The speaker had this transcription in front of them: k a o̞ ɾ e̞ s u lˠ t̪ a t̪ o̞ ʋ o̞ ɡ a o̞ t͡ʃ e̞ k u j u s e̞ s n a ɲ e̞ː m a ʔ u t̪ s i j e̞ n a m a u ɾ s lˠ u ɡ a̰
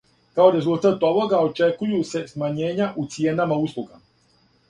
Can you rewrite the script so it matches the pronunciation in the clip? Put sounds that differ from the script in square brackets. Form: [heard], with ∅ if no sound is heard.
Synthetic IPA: k a o̞ ɾ e̞ [z] u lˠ t̪ a t̪ o̞ ʋ o̞ ɡ a o̞ t͡ʃ e̞ k u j u s e̞ s [m] a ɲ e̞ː [ɲ] a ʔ u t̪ s i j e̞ n a m a u [∅] s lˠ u ɡ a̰